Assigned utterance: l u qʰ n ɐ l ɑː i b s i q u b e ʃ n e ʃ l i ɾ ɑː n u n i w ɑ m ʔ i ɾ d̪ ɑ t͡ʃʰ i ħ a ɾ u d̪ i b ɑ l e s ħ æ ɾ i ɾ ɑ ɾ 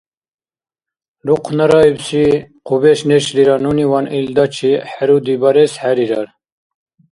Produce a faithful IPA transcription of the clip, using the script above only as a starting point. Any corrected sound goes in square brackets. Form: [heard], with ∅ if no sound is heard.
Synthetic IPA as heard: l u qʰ n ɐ [ɾ] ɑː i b s i q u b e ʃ n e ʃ l i ɾ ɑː n u n i w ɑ [n] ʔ i [l] d̪ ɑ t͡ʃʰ i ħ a ɾ u d̪ i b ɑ [ɾ] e s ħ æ ɾ i ɾ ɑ ɾ